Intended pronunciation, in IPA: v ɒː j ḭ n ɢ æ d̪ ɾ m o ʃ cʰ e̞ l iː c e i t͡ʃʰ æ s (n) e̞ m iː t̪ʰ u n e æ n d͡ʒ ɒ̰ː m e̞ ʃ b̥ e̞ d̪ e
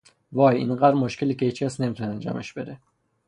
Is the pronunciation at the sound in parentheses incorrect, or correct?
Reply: correct